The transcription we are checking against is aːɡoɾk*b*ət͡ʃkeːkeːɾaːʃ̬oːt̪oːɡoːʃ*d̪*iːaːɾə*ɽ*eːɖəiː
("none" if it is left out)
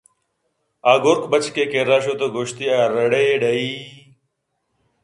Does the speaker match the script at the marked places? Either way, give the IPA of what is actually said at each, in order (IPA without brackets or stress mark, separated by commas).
b, t̪, ɽ